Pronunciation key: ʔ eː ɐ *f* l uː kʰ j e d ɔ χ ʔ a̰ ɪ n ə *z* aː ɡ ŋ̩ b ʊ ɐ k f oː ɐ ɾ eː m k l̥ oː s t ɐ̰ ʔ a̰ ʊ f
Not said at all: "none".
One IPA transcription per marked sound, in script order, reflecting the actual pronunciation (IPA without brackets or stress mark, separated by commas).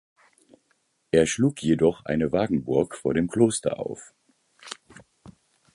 ʃ, v